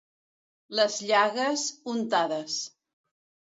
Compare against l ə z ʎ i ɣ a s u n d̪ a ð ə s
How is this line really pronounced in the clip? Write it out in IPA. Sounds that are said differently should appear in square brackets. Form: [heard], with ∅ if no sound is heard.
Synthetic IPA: l ə z ʎ [a] ɣ [ə] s u n [t̪] a ð ə s